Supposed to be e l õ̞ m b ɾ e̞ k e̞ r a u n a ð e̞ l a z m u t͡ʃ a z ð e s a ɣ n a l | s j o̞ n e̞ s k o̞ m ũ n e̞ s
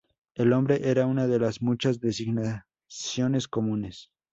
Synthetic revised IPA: e l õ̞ m b ɾ e̞ ʔ e̞ ɾ a u n a ð e̞ l a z m u t͡ʃ a z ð e s i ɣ n a | s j o̞ n e̞ s k o̞ m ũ n e̞ s